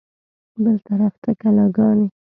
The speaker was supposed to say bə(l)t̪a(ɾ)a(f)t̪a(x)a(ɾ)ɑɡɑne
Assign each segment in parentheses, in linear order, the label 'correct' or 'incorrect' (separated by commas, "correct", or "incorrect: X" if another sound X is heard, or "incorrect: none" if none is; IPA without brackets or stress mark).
correct, correct, correct, incorrect: k, incorrect: l